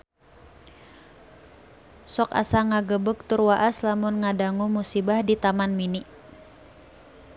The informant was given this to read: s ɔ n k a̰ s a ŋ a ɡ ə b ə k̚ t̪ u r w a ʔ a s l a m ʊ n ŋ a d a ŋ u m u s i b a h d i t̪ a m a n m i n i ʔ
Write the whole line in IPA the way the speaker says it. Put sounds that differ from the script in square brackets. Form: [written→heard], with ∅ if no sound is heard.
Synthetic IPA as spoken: s ɔ [n→∅] k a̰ s a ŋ a ɡ ə b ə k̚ t̪ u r w a ʔ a s l a m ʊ n ŋ a d a ŋ u m u s i b a h d i t̪ a m a n m i n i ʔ